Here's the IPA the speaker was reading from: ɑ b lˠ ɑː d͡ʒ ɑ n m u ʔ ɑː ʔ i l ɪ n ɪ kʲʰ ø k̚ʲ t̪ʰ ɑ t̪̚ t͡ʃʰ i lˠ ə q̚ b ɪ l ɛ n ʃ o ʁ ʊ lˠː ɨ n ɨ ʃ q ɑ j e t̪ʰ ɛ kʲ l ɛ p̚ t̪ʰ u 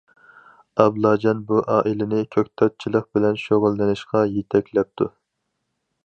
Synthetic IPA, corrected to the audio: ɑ b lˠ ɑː d͡ʒ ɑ n b u ʔ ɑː ʔ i l ɪ n ɪ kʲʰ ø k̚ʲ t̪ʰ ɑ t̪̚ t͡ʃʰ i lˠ ə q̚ b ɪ l ɛ n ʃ o ʁ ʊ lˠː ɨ n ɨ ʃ q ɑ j e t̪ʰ ɛ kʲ l ɛ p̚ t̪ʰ u